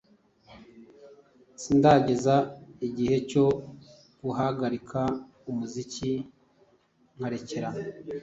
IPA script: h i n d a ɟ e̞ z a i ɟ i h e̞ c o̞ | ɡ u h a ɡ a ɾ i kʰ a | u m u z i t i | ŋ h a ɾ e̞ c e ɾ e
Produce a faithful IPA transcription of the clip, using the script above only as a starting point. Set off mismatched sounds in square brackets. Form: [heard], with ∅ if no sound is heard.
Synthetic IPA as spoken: [s] i n d a ɟ e̞ z a i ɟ i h e̞ c o̞ | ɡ u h a ɡ a ɾ i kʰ a | u m u z i [c] i | ŋ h a ɾ e̞ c e ɾ [a]